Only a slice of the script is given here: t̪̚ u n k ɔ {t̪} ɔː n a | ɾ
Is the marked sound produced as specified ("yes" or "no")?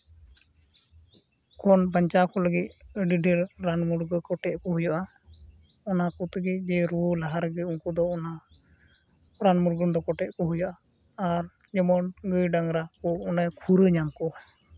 no